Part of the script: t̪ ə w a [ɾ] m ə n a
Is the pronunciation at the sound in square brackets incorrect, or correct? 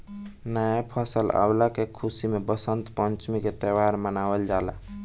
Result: correct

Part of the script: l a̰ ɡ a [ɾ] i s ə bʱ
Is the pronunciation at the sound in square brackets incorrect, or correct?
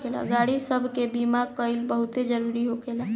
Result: incorrect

